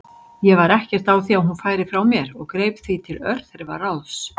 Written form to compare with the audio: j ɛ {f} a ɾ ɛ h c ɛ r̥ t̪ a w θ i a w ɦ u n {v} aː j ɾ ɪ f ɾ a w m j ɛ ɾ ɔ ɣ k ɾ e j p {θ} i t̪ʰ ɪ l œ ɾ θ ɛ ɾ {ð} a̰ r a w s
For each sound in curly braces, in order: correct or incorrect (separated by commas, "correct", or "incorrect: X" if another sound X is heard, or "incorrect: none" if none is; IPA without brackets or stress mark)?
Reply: incorrect: v, incorrect: f, correct, incorrect: v